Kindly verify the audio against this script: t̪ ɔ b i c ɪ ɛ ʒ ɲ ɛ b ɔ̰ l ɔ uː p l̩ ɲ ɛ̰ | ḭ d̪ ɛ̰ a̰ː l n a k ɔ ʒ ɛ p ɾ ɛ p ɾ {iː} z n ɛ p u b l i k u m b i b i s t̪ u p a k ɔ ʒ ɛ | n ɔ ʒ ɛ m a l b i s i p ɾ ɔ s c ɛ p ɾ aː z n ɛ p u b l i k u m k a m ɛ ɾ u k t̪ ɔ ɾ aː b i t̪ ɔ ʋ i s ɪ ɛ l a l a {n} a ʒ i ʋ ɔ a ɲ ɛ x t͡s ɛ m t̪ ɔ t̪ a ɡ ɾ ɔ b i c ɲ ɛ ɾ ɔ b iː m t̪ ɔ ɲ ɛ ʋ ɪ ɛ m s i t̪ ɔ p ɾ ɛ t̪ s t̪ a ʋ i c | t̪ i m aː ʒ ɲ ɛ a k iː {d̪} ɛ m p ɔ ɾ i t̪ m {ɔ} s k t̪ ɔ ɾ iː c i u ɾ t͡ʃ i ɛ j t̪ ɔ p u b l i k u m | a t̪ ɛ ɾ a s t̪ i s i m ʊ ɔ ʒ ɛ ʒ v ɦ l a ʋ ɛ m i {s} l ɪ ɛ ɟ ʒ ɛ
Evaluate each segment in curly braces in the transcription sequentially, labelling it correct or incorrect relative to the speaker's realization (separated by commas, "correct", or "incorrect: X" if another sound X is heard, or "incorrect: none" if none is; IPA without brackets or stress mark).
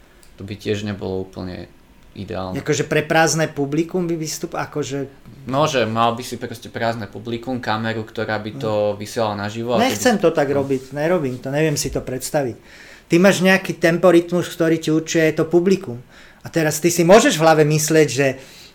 incorrect: aː, correct, incorrect: t̪, incorrect: u, correct